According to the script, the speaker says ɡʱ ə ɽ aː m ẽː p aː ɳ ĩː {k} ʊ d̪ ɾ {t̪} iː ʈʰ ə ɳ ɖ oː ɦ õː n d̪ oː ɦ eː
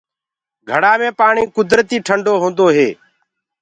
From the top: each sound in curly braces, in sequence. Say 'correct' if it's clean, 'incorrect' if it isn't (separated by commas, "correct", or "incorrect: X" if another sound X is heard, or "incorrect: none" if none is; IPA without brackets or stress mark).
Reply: correct, correct